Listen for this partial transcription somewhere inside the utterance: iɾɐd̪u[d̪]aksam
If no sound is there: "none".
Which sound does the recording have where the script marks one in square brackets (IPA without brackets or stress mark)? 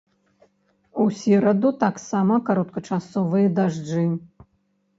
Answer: t̪